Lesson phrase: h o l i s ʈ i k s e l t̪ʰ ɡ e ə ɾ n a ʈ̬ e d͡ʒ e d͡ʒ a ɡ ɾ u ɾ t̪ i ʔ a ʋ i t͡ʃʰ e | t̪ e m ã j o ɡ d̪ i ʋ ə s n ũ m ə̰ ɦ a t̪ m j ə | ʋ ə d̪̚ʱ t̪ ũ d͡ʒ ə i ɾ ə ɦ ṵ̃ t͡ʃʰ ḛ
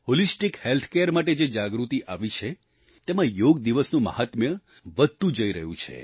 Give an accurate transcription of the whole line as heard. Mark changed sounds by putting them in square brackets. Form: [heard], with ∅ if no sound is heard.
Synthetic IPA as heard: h o l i s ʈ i k [h] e l t̪ʰ [k] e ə ɾ [m] a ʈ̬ e d͡ʒ e d͡ʒ a ɡ ɾ u [∅] t̪ i ʔ a ʋ i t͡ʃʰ e | t̪ e m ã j o ɡ d̪ i ʋ ə s n ũ m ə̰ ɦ a t̪ m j ə | ʋ ə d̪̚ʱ t̪ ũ d͡ʒ ə i ɾ ə ɦ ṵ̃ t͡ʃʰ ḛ